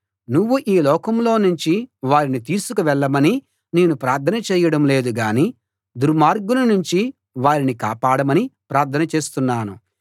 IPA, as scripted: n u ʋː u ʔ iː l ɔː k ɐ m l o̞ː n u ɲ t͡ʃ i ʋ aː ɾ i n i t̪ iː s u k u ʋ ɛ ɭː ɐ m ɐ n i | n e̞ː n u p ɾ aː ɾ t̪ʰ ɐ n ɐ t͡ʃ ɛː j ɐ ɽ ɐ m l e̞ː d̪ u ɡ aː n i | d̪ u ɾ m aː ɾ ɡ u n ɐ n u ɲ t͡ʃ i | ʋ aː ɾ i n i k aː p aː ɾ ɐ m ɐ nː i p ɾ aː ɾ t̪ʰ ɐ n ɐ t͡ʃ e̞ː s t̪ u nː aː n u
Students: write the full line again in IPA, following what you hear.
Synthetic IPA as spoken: n u ʋː u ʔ iː l ɔː k ɐ m l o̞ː n u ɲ t͡ʃ i ʋ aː ɾ i n i t̪ iː s u k u ʋ ɛ ɭː ɐ m ɐ n i | n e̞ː n u p ɾ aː ɾ t̪ʰ ɐ n ɐ t͡ʃ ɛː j ɐ ɽ ɐ m l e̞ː d̪ u ɡ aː n i | d̪ u ɾ m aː ɾ ɡ u n ɐ n u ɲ t͡ʃ i | ʋ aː ɾ i n i k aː p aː ɽ ɐ m ɐ n i p ɾ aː ɾ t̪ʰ ɐ n ɐ t͡ʃ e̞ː s t̪ u nː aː n u